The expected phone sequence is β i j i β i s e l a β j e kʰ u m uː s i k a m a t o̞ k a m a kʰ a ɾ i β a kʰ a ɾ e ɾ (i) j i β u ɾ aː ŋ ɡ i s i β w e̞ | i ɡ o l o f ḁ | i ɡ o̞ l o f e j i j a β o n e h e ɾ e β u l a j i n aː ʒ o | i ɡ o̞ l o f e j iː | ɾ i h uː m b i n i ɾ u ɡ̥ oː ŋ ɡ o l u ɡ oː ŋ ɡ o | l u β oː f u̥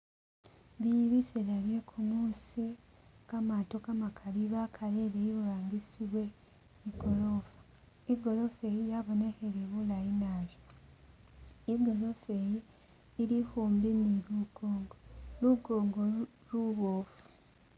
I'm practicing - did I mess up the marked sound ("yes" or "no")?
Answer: yes